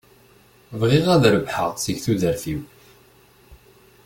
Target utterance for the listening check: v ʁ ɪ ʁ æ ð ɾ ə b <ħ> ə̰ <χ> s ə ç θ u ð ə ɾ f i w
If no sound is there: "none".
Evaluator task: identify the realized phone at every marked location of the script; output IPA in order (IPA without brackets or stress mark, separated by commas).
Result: ħ, ʁ